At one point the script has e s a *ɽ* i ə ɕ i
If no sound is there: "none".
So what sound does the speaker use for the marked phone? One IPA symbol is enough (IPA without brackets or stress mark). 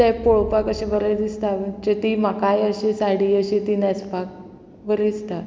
ɽ